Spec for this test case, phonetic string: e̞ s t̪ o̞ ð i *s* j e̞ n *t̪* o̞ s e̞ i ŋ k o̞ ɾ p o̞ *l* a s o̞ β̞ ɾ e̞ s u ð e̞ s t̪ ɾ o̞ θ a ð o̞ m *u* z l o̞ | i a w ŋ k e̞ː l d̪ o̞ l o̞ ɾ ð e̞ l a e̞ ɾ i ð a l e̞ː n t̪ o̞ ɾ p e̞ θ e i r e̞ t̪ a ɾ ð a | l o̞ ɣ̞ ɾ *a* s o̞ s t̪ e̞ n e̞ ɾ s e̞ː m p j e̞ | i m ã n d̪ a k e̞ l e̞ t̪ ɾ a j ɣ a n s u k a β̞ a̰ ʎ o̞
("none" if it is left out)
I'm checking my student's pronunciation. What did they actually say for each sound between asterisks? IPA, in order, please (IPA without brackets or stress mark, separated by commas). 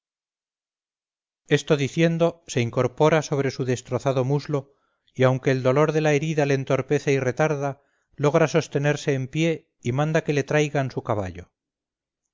θ, d̪, ɾ, u, a